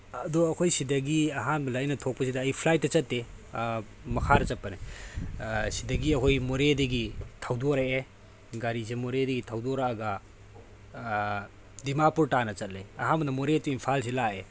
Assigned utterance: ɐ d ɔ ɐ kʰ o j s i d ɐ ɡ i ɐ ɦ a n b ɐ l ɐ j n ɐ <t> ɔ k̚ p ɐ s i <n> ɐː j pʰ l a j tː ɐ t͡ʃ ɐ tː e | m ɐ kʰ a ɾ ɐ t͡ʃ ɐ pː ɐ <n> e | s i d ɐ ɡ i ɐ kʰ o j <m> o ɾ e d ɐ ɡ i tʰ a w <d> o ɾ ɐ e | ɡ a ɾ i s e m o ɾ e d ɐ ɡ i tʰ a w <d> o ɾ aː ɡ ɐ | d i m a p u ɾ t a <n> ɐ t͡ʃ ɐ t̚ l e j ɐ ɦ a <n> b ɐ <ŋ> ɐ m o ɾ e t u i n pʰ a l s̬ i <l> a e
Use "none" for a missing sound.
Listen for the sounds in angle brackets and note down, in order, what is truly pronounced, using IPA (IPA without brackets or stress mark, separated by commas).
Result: tʰ, d, n, m, d, d, n, n, n, l